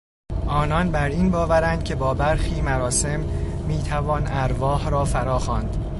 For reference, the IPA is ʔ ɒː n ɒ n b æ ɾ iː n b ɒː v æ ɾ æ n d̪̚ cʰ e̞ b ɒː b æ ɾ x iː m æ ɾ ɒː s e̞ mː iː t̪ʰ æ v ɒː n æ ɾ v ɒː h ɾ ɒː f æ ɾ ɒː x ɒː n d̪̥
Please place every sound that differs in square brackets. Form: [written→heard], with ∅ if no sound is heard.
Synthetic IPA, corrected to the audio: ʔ ɒː n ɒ n b æ ɾ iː n b ɒː v æ ɾ æ n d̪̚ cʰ e̞ b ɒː b æ ɾ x iː m æ ɾ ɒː s e̞ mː iː t̪ʰ æ v ɒː n æ ɾ v ɒː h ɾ ɒː f æ ɾ ɒː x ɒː n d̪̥